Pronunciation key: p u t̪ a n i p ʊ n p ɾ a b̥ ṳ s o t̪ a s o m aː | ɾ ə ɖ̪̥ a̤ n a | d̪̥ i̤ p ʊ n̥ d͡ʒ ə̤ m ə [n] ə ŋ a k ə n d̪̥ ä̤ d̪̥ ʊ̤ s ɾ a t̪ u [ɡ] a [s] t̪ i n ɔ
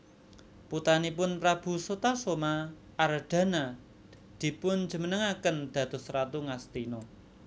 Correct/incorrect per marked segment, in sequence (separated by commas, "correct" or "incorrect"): correct, incorrect, correct